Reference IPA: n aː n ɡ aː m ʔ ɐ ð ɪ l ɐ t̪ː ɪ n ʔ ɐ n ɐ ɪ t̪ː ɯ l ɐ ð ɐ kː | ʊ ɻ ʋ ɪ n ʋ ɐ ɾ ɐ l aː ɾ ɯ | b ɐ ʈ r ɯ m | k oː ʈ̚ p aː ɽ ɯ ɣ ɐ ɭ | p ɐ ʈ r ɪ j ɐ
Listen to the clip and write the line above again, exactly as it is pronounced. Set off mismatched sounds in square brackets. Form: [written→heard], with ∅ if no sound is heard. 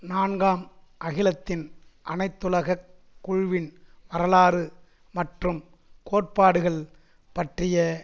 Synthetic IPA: n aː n ɡ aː m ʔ ɐ [ð→ɣ] ɪ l ɐ t̪ː ɪ n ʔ ɐ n ɐ ɪ t̪ː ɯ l ɐ [ð→ɣ] ɐ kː | ʊ ɻ ʋ ɪ n ʋ ɐ ɾ ɐ l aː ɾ ɯ | [b→m] ɐ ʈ r ɯ m | k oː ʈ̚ p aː ɽ ɯ ɣ ɐ ɭ | p ɐ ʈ r ɪ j ɐ